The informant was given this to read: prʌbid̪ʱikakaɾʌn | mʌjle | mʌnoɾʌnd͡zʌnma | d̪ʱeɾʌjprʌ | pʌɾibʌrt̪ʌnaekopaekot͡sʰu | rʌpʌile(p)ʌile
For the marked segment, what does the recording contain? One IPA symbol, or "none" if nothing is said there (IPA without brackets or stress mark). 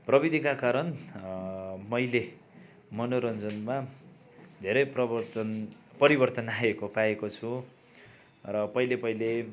p